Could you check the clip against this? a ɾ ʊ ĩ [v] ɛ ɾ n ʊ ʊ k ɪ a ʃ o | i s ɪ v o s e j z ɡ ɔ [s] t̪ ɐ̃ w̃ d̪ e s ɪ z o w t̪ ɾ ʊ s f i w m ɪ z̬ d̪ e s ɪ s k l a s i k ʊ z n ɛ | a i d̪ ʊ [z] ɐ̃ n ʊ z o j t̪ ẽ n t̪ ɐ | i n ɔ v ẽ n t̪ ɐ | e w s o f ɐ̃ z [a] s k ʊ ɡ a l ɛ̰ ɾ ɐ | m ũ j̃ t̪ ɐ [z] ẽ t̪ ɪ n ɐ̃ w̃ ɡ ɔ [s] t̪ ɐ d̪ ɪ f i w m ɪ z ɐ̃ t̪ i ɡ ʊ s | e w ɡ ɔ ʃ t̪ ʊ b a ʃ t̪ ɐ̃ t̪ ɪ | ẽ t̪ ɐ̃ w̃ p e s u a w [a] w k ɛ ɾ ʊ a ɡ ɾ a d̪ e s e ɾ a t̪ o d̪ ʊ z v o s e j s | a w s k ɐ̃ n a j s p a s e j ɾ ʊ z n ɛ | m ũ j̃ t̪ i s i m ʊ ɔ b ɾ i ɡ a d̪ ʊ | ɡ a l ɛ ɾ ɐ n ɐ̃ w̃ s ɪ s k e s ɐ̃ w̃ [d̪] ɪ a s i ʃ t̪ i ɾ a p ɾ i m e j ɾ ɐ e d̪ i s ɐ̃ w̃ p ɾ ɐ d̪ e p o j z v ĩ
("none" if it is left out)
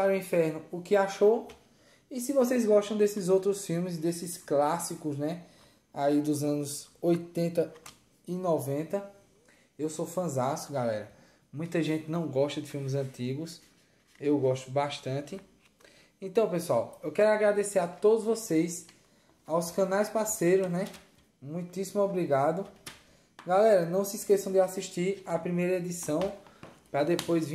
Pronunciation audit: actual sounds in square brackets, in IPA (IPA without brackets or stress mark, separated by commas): f, ʃ, z, a, ʒ, ʃ, e, d̪